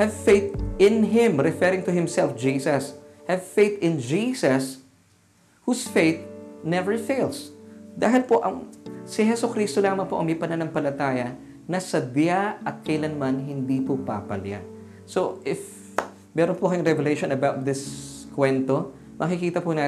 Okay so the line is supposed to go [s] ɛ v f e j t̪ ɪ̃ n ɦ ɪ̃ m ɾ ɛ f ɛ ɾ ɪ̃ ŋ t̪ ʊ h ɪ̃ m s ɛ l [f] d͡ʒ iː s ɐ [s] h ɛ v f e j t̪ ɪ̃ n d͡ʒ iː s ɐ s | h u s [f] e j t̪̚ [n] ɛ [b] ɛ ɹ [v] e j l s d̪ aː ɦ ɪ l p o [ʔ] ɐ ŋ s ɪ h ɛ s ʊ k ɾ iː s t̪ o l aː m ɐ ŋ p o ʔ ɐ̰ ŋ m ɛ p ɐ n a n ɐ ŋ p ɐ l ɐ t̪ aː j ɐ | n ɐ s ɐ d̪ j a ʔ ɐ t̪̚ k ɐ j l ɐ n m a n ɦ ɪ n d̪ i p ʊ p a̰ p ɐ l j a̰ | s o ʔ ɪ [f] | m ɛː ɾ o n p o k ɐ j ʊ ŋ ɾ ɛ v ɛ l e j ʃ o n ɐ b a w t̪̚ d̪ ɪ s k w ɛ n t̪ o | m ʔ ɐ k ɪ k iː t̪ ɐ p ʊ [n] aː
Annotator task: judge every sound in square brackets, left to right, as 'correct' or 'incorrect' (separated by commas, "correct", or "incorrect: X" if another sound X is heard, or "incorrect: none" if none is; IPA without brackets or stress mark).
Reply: incorrect: h, correct, correct, correct, correct, incorrect: v, incorrect: f, correct, correct, correct